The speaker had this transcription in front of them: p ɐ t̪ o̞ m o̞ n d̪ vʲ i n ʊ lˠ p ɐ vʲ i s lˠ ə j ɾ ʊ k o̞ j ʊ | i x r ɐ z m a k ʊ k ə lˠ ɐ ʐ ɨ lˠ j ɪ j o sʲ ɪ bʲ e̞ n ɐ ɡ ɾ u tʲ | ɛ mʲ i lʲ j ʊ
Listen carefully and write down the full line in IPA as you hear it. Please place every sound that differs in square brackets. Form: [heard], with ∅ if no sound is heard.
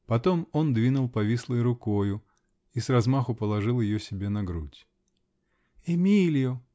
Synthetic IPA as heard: p ɐ t̪ o̞ m o̞ n d̪ vʲ i n ʊ lˠ p ɐ vʲ i s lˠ ə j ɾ ʊ k o̞ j ʊ | i [s] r ɐ z m a [x] ʊ [p] ə lˠ ɐ ʐ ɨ lˠ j ɪ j o sʲ ɪ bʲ e̞ n ɐ ɡ ɾ u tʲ | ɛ mʲ i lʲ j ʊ